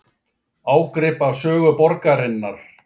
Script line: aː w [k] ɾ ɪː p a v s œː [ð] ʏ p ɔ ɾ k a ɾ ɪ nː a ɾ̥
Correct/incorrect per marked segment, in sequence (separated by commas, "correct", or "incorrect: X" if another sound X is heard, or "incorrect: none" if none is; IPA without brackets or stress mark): correct, incorrect: ɣ